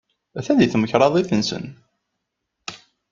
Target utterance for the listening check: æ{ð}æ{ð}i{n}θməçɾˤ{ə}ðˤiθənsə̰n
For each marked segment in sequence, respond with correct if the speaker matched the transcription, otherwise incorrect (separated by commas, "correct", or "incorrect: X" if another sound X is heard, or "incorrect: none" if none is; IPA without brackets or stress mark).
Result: incorrect: θ, correct, incorrect: none, incorrect: ɑ